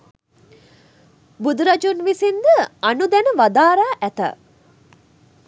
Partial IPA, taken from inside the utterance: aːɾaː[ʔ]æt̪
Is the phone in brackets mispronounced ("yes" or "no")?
no